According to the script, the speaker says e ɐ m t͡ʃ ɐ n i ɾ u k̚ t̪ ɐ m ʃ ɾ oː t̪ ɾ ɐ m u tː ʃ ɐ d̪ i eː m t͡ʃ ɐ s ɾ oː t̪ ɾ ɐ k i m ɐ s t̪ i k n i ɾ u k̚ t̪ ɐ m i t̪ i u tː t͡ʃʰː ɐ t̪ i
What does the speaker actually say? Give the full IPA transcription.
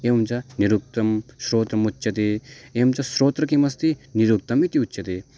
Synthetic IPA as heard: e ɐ m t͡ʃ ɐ n i ɾ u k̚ t̪ ɐ m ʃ ɾ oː t̪ ɾ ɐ m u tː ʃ ɐ t̪ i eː m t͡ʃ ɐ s ɾ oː t̪ ɾ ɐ k i m ɐ s t̪ i n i ɾ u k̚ t̪ ɐ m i t̪ i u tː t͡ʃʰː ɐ t̪ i